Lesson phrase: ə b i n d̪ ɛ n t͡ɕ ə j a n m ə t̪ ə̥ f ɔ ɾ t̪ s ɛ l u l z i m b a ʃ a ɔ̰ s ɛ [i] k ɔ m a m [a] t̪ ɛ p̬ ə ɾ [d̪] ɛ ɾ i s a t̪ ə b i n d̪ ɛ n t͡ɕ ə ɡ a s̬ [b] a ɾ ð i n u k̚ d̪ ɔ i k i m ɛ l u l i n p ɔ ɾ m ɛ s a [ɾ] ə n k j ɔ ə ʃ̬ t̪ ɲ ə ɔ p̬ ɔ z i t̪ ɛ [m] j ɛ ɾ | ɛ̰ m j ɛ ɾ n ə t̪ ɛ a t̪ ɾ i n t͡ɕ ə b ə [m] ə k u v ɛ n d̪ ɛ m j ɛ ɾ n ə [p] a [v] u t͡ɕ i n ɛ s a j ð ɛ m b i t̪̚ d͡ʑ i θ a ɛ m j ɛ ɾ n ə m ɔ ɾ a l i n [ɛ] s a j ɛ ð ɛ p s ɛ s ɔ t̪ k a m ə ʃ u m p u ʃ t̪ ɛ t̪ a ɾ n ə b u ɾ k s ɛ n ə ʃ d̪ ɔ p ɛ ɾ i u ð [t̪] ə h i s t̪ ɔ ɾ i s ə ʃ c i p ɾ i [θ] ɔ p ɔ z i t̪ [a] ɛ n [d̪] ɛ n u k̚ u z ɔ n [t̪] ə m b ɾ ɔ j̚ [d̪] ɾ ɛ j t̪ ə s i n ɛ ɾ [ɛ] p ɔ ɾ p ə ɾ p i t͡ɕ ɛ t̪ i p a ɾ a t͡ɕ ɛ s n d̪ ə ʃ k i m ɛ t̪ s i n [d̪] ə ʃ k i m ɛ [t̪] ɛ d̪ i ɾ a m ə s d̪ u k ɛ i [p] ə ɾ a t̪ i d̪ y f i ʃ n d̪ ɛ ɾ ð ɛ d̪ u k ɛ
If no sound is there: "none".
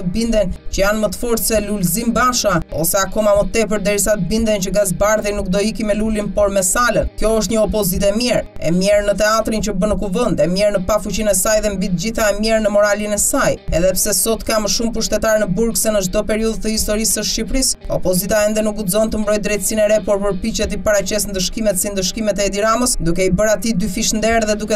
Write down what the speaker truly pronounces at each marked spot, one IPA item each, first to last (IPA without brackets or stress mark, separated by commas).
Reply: a, ə, d̪, b, l, m, n, p, f, ɛ, t̪, s, a, d̪, t̪, d̪, ɛ, d̪, t̪, b